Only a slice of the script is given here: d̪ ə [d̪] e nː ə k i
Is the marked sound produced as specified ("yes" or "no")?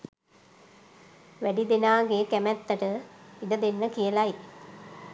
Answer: yes